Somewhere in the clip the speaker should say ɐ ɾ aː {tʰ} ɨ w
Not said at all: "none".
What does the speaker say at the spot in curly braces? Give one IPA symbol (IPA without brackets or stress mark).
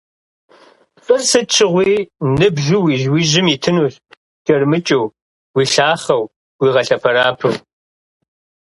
pʰ